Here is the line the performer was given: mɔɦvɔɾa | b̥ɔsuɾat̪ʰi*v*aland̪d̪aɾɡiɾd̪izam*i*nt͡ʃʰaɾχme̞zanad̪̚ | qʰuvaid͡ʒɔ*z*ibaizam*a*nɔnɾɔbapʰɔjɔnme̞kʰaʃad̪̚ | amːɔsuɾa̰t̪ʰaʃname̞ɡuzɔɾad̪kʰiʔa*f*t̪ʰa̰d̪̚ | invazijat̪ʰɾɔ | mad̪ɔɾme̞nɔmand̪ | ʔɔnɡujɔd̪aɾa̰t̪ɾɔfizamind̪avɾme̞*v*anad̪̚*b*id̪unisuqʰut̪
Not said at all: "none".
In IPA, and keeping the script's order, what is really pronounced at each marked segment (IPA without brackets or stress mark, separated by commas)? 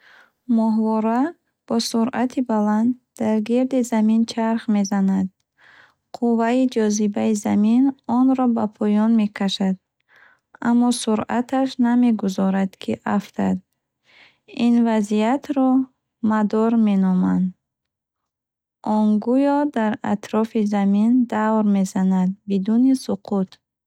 b, i, z, i, f, z, b